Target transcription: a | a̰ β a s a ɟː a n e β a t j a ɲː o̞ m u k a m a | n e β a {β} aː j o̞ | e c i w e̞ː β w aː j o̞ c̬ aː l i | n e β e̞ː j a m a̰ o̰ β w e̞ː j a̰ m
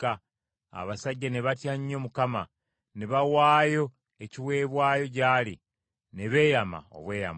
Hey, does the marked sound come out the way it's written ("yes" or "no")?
no